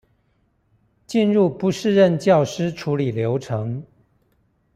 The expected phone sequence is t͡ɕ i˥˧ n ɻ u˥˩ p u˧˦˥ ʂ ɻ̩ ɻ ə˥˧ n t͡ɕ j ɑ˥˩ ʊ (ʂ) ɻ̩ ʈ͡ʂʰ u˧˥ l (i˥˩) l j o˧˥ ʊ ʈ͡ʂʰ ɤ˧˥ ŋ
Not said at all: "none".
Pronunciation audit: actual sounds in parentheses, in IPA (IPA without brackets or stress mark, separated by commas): ʂ, i˨˩